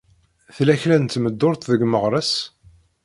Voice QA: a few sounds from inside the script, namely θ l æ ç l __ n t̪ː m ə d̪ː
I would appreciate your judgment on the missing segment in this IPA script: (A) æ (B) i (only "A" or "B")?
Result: A